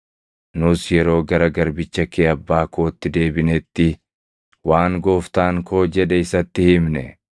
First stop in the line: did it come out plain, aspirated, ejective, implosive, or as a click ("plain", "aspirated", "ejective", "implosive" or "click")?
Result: plain